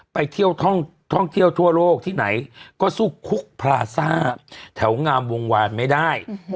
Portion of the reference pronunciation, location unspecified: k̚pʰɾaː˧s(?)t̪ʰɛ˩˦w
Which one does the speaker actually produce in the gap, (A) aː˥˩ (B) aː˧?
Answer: A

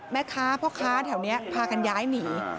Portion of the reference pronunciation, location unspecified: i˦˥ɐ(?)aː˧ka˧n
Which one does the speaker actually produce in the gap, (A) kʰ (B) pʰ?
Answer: B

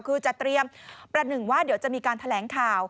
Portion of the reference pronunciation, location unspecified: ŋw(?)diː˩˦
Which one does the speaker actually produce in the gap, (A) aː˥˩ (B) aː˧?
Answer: A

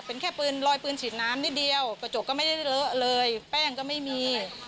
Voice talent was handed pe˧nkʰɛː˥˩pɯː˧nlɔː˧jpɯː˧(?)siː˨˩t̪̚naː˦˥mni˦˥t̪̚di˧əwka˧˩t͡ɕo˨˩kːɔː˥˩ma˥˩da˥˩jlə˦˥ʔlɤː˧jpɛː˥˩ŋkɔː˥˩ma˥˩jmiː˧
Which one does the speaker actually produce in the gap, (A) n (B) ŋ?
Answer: A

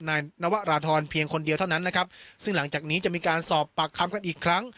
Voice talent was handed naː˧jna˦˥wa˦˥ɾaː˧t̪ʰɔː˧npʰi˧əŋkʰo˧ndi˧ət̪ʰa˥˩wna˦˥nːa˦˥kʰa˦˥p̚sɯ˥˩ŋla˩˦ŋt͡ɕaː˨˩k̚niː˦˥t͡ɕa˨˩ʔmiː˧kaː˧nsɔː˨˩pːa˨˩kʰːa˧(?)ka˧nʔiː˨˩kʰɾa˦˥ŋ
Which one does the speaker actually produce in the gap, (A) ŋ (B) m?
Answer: B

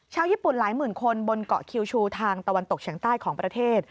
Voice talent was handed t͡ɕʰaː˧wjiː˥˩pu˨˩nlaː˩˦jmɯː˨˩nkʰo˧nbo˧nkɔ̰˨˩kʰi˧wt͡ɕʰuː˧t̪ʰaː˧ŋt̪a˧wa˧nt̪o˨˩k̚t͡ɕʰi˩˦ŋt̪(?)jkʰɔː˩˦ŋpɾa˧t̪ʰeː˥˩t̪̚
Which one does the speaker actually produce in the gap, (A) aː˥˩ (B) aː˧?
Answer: A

